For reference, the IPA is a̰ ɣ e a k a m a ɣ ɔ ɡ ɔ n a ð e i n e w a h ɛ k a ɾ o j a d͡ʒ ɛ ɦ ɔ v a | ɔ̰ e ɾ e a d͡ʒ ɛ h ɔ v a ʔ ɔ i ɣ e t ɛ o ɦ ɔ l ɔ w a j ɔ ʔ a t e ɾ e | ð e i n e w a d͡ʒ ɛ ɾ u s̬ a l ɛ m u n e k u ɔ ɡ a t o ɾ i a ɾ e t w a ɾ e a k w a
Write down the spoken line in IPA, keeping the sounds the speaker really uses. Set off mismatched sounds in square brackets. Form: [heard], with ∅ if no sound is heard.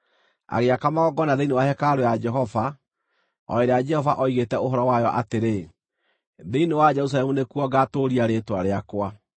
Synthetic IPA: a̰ ɣ e a k a m a ɣ ɔ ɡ ɔ n a ð e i n e w a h ɛ k a ɾ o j a d͡ʒ ɛ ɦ ɔ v a | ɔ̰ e ɾ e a d͡ʒ ɛ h ɔ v a ʔ ɔ i ɣ e t ɛ o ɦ ɔ [ɾ] ɔ w a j ɔ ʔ a t e ɾ e | ð e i n e w a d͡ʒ ɛ ɾ u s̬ a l ɛ m u n e k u ɔ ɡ a t o ɾ i a ɾ e t w a ɾ e a k w a